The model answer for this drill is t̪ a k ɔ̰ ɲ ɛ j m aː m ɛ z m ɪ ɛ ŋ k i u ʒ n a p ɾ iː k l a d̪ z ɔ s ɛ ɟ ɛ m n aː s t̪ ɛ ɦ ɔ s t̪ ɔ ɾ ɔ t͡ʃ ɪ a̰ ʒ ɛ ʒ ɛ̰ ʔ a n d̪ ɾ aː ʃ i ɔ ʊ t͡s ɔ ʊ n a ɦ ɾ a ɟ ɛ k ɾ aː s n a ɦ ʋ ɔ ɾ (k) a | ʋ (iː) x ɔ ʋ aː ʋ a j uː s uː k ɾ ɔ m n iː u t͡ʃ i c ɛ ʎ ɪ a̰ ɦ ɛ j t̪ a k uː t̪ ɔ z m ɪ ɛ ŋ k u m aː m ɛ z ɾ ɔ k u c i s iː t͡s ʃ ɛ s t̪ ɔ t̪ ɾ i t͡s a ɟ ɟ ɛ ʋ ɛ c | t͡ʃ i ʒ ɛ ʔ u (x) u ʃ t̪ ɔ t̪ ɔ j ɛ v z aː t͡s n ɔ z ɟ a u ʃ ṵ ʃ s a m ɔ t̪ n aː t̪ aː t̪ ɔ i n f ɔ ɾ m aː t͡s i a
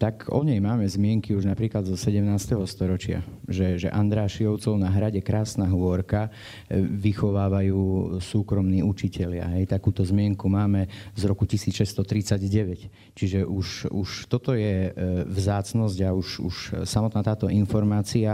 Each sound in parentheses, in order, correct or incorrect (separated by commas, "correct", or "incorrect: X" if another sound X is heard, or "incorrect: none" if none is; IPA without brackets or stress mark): correct, incorrect: i, incorrect: ʃ